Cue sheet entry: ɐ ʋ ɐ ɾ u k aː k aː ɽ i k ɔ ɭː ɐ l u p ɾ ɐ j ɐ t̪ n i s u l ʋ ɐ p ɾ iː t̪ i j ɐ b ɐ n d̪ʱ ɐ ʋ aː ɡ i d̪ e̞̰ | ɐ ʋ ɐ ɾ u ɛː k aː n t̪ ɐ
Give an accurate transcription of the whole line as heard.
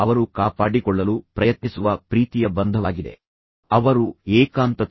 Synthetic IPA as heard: ɐ ʋ ɐ ɾ u k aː p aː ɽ i k ɔ ɭː ɐ l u p ɾ ɐ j ɐ t̪ n i s u ʋ ɐ p ɾ iː t̪ i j ɐ b ɐ n d̪ʱ ɐ ʋ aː ɡ i d̪ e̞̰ | ɐ ʋ ɐ ɾ u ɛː k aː n t̪ ɐ